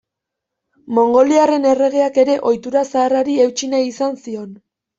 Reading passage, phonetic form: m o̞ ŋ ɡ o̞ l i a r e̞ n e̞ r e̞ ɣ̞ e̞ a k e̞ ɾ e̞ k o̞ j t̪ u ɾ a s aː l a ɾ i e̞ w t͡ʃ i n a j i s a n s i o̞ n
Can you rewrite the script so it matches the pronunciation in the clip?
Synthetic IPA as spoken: m o̞ ŋ ɡ o̞ l i a r e̞ n e̞ r e̞ ɣ̞ e̞ a k e̞ ɾ e̞ ʔ o̞ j t̪ u ɾ a s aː r a ɾ i e̞ w t͡ʃ i n a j i s a n s i o̞ n